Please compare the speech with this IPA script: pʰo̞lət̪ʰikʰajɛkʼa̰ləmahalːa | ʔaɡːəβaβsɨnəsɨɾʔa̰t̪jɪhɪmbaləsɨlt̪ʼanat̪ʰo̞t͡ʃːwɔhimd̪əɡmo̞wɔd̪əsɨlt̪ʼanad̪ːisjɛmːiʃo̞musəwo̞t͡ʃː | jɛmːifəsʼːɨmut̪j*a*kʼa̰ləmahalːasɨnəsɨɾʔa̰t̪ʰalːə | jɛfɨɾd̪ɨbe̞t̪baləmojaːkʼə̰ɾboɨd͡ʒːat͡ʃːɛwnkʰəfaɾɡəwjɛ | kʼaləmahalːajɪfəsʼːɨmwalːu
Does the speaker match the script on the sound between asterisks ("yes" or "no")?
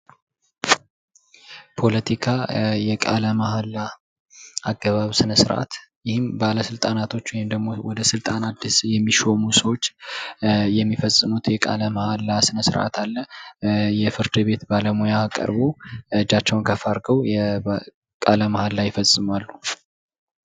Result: no